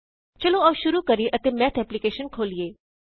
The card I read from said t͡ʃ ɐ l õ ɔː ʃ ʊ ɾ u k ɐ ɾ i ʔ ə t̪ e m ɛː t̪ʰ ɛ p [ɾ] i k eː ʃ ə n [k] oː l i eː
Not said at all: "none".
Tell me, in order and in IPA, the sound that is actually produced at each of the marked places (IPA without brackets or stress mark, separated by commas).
l, kʰ